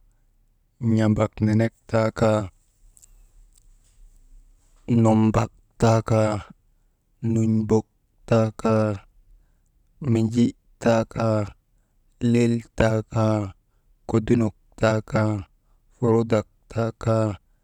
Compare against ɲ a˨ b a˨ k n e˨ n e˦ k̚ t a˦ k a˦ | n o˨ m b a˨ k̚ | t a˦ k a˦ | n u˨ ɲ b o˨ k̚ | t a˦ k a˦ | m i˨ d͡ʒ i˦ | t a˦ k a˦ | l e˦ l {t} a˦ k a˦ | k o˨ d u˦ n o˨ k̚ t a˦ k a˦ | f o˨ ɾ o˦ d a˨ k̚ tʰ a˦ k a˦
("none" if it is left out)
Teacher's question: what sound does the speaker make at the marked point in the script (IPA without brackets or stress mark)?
t